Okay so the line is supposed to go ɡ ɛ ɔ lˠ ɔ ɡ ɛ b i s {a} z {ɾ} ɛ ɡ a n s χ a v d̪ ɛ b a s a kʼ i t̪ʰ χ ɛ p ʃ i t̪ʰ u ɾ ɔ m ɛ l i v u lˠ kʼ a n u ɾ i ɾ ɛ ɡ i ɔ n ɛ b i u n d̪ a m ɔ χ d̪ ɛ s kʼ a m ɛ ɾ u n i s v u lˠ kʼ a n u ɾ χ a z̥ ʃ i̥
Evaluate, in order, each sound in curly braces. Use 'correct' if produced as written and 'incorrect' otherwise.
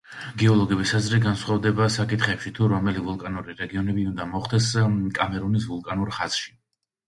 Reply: correct, correct

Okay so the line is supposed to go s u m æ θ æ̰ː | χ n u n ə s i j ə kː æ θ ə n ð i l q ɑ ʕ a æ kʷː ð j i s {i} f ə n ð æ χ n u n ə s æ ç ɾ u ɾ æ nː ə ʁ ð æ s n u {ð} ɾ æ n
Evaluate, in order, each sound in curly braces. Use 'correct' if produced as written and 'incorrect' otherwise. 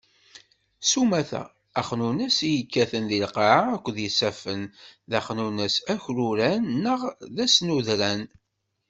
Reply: incorrect, correct

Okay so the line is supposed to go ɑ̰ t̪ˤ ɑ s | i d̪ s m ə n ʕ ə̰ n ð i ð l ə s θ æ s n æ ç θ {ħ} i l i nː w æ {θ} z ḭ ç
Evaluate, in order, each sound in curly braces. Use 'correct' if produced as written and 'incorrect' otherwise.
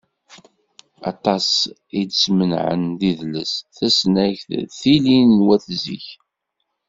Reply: incorrect, correct

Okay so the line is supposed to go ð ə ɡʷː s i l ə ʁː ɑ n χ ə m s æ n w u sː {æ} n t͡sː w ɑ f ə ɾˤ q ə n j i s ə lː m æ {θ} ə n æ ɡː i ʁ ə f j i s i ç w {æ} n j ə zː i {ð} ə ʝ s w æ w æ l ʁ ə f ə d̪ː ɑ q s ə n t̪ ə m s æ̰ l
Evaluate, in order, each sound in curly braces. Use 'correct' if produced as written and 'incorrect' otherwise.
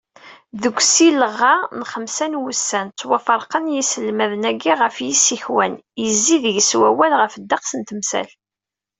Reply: correct, incorrect, correct, correct

